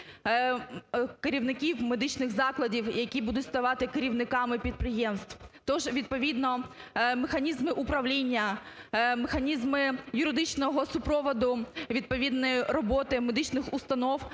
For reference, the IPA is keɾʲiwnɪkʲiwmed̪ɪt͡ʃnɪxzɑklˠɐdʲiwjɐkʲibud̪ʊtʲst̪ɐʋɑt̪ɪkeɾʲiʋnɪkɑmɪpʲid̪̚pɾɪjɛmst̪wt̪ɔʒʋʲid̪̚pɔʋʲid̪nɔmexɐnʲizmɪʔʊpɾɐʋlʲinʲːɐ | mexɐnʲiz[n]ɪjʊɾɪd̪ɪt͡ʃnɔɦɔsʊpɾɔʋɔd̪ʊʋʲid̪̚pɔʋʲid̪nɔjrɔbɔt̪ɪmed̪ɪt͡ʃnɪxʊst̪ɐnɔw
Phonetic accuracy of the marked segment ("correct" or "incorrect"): incorrect